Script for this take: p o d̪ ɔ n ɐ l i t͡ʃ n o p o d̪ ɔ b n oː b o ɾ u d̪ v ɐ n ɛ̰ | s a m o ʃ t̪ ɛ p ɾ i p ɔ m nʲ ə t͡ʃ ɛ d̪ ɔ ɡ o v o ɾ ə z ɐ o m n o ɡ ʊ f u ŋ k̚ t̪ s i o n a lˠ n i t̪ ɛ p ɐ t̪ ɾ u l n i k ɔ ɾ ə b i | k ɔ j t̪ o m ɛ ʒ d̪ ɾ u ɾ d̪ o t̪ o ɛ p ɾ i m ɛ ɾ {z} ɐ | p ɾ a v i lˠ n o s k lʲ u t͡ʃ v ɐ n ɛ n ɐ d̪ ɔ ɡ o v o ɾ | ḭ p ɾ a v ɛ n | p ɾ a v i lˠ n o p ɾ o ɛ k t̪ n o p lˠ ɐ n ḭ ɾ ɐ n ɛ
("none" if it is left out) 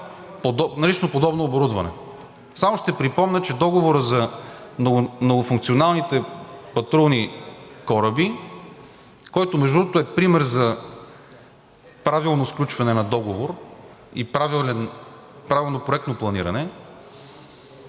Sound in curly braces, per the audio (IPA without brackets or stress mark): z